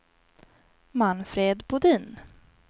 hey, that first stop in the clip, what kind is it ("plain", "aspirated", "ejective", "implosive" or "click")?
plain